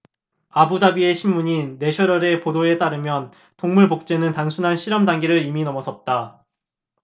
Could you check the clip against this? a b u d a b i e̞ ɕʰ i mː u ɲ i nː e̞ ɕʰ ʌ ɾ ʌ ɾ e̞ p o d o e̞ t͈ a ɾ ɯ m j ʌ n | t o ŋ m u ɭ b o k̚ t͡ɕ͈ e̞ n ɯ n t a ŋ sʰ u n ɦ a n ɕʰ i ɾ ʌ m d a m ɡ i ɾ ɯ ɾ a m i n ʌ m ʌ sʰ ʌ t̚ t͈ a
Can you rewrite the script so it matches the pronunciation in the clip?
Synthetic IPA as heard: a b u d a b i e̞ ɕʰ i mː u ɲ i nː e̞ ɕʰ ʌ ɾ ʌ ɾ e̞ p o d o e̞ t͈ a ɾ ɯ m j ʌ n | t o ŋ m u ɭ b o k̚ t͡ɕ͈ e̞ n ɯ n t a ŋ sʰ u n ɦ a n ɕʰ i ɾ ʌ m d a ŋ ɡ i ɾ ɯ ɾ i m i n ʌ m ʌ sʰ ʌ t̚ t͈ a